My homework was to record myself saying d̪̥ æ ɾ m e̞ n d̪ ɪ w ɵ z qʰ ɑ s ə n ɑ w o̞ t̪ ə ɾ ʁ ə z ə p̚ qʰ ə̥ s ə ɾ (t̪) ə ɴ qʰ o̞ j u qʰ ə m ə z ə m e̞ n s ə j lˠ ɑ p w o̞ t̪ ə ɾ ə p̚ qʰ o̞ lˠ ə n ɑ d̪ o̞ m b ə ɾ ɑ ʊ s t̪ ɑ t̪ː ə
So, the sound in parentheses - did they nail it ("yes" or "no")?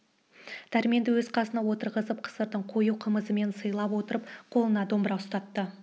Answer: no